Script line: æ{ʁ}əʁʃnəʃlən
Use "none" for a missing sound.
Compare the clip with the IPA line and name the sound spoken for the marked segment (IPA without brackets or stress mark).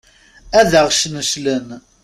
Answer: ð